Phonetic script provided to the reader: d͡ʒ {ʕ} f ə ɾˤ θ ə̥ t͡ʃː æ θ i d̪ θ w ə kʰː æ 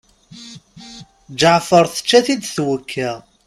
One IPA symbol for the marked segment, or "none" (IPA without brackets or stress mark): ʕ